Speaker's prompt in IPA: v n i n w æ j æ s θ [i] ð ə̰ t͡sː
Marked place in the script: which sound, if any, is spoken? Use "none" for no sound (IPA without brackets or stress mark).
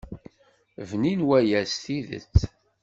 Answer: i